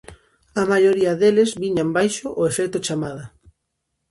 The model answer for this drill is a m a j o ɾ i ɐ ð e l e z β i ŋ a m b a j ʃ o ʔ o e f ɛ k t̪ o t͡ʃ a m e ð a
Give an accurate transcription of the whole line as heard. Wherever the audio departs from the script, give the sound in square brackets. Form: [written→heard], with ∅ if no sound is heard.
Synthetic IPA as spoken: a m a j o ɾ i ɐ ð e l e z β i [ŋ→ɲ] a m b a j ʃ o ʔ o e f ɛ k t̪ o t͡ʃ a m [e→a] ð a